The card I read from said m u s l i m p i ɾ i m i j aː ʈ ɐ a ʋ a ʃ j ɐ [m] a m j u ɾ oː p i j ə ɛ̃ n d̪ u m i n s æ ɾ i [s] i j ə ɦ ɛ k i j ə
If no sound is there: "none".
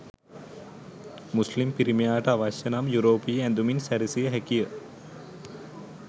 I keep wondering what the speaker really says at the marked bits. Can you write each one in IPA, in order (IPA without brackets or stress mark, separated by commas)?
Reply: n, s